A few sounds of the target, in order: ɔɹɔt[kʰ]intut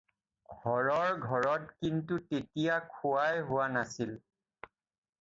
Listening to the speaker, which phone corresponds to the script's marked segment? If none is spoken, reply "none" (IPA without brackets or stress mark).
k